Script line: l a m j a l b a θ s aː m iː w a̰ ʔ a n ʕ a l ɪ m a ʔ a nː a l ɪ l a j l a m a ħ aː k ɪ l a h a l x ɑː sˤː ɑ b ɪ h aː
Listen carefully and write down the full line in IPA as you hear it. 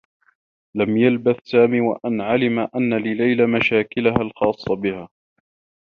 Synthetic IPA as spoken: l a m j a l b a θ s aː m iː w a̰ ʔ a n ʕ a l ɪ m a ʔ a nː a l ɪ l a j l a m a ʃ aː k ɪ l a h a l x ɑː sˤː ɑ b ɪ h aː